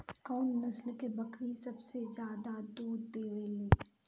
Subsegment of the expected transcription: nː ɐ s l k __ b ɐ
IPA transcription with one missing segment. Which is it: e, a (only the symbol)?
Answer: e